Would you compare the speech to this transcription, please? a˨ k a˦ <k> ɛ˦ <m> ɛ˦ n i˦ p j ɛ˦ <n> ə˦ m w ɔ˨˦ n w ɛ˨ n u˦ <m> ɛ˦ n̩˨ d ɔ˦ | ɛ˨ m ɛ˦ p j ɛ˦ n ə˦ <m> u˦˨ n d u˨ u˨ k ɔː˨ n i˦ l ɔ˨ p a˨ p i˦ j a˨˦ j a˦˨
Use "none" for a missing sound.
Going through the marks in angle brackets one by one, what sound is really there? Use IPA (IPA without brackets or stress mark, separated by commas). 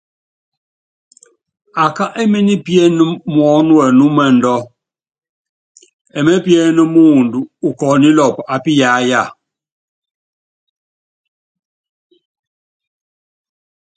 ʔ, m, n, m, m